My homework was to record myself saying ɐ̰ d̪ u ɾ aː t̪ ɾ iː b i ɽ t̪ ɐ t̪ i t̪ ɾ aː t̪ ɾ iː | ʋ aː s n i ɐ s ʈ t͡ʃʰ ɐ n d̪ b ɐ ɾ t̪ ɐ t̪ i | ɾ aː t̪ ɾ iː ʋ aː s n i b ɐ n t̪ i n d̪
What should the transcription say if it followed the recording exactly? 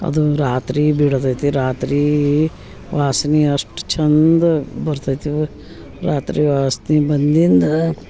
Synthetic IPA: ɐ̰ d̪ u ɾ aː t̪ ɾ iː b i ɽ t̪ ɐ t̪ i ɾ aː t̪ ɾ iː | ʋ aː s n i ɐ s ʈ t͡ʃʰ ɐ n d̪ b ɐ ɾ t̪ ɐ t̪ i | ɾ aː t̪ ɾ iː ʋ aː s n i b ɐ n d̪ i n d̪